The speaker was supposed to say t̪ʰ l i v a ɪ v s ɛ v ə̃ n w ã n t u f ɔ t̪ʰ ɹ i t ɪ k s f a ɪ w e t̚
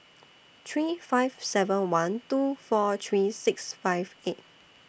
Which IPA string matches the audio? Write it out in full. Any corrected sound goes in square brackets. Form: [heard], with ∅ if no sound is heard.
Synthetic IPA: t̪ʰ [ɹ] i [f] a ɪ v s ɛ v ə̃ n w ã n t u f ɔ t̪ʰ ɹ i [s] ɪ k s f a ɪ [v] e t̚